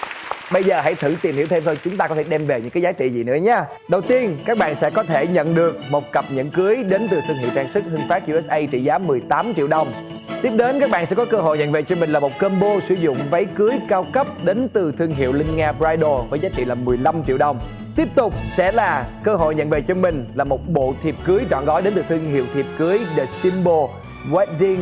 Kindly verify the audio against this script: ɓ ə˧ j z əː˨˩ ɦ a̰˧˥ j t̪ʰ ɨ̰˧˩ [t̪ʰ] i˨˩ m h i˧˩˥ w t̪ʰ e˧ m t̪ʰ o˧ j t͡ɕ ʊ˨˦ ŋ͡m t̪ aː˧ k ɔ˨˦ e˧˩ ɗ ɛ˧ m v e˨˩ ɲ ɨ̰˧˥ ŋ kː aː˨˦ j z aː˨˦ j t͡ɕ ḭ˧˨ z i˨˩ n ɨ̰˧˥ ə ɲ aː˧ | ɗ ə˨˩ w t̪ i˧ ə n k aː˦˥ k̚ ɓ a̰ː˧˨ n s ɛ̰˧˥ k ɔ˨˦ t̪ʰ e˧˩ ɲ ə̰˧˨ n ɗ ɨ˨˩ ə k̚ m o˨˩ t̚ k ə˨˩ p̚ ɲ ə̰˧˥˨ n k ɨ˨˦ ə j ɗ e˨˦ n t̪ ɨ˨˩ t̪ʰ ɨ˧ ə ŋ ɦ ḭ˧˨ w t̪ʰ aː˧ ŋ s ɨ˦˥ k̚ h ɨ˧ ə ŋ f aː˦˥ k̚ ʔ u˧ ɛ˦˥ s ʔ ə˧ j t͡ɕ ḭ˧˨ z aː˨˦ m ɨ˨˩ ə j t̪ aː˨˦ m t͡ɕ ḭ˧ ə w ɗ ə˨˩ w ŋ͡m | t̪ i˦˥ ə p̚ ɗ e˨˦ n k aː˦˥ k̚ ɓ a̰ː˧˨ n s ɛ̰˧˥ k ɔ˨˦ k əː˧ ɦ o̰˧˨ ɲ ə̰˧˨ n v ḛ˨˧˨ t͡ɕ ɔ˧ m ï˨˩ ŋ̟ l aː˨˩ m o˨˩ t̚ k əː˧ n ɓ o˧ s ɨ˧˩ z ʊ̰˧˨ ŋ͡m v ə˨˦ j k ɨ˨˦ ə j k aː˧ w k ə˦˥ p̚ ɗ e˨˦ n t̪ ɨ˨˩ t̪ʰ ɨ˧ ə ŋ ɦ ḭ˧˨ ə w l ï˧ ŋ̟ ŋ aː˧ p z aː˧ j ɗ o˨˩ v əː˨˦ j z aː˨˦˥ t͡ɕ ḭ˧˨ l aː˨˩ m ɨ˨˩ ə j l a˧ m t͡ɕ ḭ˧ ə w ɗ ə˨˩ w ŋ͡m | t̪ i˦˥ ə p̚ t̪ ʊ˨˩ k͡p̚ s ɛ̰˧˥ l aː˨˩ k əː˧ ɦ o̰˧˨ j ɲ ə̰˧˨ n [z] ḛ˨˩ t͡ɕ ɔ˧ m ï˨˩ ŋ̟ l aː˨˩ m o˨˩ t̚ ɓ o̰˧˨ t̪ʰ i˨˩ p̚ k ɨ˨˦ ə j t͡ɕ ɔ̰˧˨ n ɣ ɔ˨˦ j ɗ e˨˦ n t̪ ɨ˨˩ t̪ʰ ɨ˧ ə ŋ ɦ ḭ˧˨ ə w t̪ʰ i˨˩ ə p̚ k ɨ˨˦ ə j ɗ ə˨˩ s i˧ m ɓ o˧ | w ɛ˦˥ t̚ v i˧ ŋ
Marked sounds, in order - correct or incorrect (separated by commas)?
incorrect, incorrect